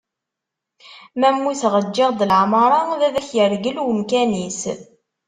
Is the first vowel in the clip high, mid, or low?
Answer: low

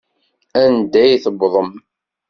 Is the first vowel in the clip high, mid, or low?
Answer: low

